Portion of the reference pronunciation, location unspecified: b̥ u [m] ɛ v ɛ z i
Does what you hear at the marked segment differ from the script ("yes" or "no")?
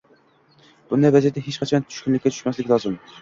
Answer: yes